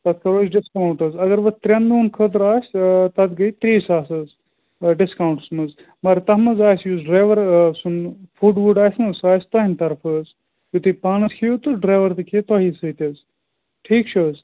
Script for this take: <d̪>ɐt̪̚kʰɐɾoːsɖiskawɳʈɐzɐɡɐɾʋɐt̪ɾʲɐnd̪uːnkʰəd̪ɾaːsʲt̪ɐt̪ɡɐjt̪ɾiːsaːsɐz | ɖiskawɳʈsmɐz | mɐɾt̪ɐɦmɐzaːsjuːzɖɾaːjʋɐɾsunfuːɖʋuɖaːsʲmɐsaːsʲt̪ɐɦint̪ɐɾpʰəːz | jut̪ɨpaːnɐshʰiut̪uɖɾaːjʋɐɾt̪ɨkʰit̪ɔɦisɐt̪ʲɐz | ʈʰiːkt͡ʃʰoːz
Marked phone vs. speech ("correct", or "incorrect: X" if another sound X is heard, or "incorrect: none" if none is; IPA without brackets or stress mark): incorrect: t̪